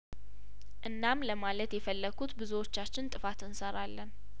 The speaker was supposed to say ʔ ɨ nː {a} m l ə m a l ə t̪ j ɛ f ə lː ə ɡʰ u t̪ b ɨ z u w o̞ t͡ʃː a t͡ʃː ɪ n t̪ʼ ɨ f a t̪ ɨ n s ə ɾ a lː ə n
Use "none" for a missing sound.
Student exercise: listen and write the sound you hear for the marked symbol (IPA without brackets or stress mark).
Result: a